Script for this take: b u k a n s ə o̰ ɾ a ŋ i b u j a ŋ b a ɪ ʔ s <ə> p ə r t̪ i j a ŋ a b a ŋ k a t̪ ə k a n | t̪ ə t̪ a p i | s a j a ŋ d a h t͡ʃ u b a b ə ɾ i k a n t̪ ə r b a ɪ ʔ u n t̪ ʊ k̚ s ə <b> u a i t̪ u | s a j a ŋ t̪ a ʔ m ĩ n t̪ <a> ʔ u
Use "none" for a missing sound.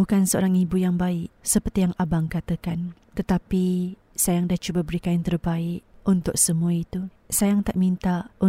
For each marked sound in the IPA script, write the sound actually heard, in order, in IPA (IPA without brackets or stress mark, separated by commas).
ə, m, a